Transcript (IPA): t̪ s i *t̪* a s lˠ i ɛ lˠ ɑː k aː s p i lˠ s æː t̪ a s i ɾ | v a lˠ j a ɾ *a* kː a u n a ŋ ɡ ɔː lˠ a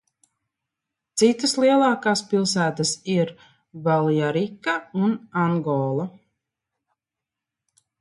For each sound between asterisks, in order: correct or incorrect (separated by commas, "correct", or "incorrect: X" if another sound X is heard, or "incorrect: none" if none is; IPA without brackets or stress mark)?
correct, incorrect: i